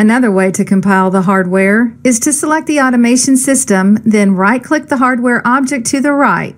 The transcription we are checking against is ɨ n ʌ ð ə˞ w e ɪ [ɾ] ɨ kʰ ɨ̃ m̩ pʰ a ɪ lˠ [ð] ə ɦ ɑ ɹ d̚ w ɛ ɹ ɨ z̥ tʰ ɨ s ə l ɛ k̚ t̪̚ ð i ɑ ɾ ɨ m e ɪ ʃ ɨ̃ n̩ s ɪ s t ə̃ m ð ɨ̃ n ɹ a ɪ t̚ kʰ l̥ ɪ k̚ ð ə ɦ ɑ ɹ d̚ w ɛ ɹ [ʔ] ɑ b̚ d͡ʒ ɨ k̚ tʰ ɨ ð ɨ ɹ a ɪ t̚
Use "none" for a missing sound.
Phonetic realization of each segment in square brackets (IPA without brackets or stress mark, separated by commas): ɾ, ð, ʔ